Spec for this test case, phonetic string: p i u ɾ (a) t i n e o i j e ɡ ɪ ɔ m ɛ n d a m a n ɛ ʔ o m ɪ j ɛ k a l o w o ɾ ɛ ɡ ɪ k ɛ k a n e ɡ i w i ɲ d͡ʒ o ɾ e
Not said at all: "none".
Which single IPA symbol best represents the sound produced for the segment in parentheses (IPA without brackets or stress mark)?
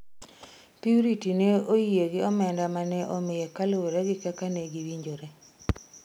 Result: i